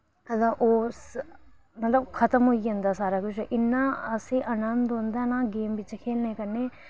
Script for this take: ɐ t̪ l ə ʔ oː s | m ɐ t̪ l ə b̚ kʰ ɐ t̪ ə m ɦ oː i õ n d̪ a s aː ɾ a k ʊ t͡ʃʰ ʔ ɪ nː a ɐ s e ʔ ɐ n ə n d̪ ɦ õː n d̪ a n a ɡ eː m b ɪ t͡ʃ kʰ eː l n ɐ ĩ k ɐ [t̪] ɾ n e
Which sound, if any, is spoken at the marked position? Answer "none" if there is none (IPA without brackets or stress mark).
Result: none